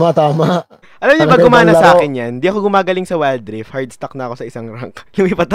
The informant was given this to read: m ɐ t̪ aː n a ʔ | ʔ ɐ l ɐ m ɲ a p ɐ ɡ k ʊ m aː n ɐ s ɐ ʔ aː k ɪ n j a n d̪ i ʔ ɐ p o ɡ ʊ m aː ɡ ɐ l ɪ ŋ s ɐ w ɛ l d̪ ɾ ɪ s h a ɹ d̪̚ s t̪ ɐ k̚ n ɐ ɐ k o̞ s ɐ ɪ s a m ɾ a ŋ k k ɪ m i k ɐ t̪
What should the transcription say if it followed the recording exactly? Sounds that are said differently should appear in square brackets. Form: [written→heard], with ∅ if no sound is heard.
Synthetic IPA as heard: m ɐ t̪ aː [n→m] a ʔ | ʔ ɐ l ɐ m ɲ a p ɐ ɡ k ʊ m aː n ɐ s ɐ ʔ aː k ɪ n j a n d̪ i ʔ ɐ [p→k] o ɡ ʊ m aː ɡ ɐ l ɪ ŋ s ɐ w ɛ l d̪ ɾ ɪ [s→f] h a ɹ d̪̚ s t̪ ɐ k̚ n ɐ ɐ k o̞ s ɐ ɪ s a [m→ŋ] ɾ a ŋ k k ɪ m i [k→p] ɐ t̪